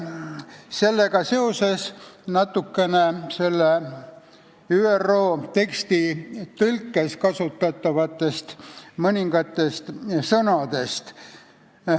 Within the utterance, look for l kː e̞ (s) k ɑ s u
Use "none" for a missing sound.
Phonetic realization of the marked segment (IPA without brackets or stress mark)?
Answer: s